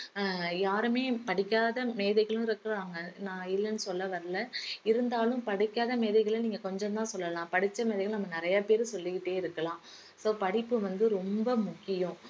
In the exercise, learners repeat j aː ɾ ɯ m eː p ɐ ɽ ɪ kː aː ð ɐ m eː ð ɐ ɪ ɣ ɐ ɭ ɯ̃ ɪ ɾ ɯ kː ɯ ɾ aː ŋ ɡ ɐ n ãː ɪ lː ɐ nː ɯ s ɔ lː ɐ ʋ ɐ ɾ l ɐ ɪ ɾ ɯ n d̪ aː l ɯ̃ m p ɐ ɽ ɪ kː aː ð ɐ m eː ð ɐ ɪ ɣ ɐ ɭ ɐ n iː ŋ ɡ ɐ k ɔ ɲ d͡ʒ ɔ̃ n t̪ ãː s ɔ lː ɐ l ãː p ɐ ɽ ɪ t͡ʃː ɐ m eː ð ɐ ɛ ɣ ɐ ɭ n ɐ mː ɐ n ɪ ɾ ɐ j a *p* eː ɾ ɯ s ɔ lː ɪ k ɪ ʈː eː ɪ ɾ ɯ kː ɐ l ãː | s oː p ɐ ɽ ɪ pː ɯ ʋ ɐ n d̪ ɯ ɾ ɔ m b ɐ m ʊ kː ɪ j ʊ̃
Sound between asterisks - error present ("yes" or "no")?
no